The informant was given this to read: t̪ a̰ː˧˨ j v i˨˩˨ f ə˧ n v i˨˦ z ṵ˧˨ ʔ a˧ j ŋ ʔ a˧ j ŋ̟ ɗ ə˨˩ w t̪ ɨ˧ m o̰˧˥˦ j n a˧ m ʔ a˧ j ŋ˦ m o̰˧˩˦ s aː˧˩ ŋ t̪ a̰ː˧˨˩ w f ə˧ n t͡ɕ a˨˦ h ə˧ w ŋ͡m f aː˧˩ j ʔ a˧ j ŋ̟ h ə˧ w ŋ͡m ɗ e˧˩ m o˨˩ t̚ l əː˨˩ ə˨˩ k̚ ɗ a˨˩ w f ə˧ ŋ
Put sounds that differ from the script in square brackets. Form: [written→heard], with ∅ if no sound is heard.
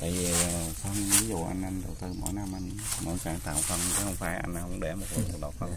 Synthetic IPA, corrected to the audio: t̪ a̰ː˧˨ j v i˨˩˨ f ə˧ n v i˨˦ z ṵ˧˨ ʔ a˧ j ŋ ʔ a˧ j ŋ̟ ɗ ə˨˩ w t̪ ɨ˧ m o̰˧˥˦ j n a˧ m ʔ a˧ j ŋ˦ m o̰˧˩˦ s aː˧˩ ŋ t̪ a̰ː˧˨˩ w f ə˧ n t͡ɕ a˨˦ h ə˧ w ŋ͡m f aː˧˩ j ʔ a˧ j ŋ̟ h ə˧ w ŋ͡m ɗ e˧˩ m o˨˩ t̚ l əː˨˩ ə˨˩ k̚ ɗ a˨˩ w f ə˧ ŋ